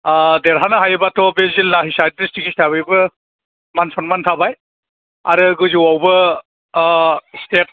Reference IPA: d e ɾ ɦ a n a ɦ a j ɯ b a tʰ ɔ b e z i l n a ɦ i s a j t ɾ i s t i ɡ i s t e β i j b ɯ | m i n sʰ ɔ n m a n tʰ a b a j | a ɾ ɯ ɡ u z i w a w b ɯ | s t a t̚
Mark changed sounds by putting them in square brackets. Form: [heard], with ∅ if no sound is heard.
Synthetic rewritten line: d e ɾ ɦ a n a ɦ a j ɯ b a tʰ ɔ b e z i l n a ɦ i s a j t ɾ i s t i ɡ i s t [a] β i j b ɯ | m [a] n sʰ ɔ n m a n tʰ a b a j | a ɾ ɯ ɡ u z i w a w b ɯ | s t [e] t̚